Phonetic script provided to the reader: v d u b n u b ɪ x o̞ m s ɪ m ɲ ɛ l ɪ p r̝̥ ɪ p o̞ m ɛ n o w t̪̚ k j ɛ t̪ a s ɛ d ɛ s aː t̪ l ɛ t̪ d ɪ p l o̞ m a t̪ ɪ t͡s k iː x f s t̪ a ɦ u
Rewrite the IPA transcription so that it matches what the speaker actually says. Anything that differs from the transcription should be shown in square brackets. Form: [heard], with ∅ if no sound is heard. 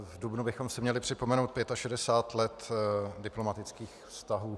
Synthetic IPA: v d u b n u b ɪ x o̞ m s ɪ m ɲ ɛ l ɪ p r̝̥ ɪ p o̞ m ɛ n o w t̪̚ [p] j ɛ t̪ a [ʃ] ɛ d ɛ s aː t̪ l ɛ t̪ d ɪ p l o̞ m a t̪ ɪ t͡s k iː x f s t̪ a ɦ [uː]